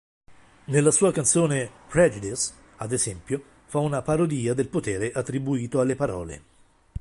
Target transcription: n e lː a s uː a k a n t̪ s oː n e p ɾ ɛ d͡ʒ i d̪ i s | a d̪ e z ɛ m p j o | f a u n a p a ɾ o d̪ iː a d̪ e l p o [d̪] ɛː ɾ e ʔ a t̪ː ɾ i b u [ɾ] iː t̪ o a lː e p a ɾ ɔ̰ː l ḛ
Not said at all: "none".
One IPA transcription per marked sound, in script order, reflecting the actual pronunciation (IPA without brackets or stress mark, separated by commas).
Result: t̪, none